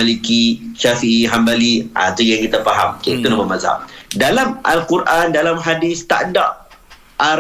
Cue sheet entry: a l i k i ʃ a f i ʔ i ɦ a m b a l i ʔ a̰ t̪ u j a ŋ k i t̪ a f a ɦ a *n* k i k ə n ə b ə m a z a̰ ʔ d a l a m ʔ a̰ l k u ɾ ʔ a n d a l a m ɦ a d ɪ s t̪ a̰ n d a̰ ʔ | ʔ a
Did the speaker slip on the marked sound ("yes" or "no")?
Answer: yes